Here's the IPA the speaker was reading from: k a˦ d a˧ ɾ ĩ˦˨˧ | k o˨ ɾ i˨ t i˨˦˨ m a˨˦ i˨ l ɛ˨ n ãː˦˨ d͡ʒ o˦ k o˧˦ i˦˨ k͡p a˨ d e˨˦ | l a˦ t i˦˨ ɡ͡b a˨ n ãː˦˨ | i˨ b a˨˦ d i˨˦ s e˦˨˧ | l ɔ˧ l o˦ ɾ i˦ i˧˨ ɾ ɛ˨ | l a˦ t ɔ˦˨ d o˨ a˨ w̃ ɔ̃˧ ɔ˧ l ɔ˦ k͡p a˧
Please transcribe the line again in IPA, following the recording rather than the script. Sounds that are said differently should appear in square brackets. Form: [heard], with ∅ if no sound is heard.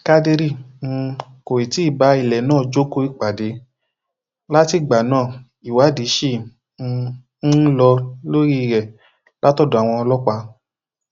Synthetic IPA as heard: k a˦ d [e˧] ɾ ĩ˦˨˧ | k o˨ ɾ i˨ t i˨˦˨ [b] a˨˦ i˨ l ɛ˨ n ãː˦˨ d͡ʒ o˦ k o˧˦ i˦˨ k͡p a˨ d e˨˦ | l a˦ t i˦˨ ɡ͡b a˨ n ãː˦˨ | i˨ [w] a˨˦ d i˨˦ [ʃ] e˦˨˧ | l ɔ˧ l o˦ ɾ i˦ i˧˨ ɾ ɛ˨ | l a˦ t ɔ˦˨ d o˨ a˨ w̃ ɔ̃˧ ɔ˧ l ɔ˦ k͡p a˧